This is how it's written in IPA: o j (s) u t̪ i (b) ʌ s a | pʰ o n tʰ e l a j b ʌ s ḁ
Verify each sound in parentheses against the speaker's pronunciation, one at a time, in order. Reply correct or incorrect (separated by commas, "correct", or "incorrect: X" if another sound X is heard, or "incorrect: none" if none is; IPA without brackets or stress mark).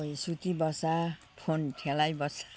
correct, correct